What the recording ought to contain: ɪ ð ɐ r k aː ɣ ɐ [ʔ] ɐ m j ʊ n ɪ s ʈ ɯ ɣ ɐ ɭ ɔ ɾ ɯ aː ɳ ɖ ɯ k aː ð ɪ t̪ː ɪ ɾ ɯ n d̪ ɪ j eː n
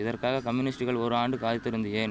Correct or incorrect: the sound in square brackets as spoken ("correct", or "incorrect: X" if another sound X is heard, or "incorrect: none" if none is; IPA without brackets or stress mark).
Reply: incorrect: k